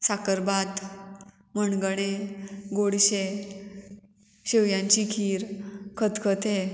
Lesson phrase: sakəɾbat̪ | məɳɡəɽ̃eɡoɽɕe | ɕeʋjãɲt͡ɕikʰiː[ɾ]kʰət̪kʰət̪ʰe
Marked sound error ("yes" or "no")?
no